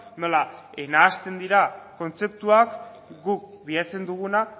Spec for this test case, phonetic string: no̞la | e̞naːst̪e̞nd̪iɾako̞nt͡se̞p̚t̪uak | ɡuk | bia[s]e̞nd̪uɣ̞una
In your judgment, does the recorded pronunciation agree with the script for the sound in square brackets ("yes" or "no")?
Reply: no